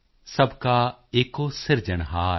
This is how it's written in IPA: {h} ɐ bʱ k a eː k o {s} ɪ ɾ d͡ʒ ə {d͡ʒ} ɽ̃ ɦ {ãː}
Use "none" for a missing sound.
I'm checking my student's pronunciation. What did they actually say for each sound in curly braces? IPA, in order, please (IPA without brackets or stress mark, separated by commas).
s, s, none, aː